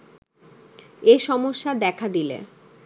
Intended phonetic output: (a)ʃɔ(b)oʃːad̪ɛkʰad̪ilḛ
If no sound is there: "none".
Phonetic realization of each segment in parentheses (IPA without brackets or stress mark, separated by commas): e, m